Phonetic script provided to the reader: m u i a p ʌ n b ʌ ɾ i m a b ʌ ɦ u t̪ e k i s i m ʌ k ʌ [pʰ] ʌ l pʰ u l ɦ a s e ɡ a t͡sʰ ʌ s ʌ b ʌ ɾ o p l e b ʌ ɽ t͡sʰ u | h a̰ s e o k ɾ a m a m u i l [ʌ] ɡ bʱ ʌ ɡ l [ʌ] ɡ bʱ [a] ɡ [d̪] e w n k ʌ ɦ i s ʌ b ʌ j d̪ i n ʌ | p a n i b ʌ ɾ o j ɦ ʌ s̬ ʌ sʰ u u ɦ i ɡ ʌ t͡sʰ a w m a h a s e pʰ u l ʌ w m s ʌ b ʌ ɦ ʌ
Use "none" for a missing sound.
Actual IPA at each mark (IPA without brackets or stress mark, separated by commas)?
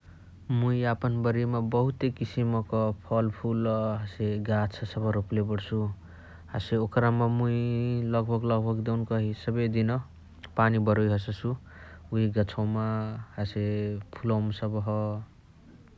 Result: pʰ, ʌ, ʌ, ʌ, d̪